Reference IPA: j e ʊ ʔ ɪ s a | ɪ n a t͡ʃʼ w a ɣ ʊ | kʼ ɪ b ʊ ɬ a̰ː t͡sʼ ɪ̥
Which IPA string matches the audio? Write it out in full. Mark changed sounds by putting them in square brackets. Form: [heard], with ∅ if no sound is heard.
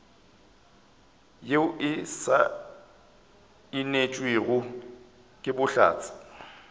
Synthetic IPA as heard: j e ʊ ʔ ɪ s a | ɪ n [e] t͡ʃʼ w [e] ɣ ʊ | kʼ ɪ b ʊ ɬ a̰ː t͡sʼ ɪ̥